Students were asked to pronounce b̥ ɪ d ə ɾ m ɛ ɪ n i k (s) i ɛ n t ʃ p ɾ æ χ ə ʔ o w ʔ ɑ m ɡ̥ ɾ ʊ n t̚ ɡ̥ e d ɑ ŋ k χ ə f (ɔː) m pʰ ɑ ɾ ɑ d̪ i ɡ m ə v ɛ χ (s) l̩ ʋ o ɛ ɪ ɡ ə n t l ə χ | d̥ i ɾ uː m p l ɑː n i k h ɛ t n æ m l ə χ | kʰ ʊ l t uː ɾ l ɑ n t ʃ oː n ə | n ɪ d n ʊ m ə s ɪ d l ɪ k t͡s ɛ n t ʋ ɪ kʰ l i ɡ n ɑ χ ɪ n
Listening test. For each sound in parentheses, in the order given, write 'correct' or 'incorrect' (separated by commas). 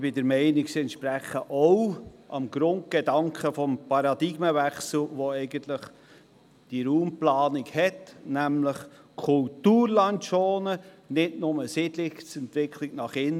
correct, incorrect, correct